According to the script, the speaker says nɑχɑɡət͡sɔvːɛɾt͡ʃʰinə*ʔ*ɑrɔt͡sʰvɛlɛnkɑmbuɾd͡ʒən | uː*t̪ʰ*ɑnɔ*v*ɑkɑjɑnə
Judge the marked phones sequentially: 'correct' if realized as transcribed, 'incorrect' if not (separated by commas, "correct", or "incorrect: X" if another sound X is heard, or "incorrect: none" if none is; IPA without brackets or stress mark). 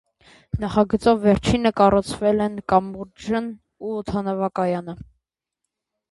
incorrect: k, correct, correct